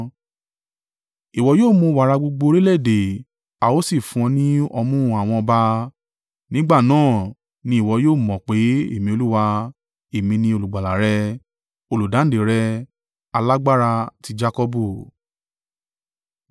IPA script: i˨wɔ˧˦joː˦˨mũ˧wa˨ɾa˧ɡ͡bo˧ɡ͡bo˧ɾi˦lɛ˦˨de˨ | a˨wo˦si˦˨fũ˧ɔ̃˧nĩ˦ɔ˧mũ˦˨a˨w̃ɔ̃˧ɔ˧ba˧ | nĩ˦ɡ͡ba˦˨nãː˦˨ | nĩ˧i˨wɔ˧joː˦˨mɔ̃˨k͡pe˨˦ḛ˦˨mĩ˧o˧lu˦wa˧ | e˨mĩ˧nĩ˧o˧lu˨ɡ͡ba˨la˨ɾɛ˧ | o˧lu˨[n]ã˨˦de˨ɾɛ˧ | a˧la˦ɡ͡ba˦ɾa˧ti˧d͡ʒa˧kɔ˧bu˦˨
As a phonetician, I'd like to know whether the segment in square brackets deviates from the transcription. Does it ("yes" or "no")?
yes